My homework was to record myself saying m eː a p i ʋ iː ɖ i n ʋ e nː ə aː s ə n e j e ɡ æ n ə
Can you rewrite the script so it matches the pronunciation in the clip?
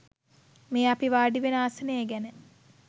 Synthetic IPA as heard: m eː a p i ʋ aː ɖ i ʋ e n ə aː s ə n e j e ɡ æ n ə

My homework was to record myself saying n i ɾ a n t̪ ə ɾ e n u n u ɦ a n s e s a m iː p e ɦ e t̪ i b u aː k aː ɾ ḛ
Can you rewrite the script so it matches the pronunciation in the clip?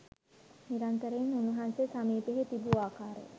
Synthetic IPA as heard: n i ɾ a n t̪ ə ɾ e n u n u ɦ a n s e s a m iː p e ɦ e t̪ i b u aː k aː ɾ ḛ

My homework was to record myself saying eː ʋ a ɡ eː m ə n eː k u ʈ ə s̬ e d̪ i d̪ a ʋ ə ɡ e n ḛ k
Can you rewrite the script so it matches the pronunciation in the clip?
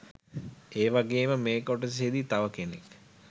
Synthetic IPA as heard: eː ʋ a ɡ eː m ə m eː k o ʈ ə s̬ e d̪ i t̪ a ʋ ə k e n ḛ k

